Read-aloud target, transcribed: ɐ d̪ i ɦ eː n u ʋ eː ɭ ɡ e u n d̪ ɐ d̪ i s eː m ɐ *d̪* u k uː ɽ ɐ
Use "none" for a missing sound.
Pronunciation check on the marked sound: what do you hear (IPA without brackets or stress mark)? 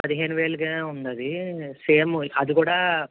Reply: d̪